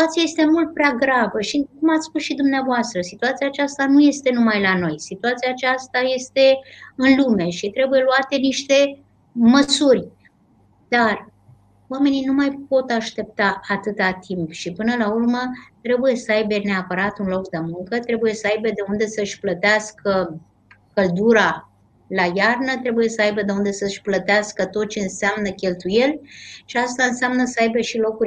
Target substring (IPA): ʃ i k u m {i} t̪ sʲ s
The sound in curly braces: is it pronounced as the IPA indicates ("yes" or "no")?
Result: no